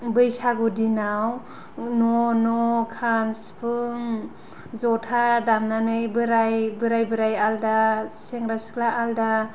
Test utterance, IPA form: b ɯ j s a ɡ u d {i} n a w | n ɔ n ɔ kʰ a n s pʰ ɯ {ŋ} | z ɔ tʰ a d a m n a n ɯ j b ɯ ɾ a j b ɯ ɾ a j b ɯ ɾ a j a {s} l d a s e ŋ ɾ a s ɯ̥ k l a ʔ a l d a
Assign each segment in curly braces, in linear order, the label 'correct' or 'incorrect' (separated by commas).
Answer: correct, correct, incorrect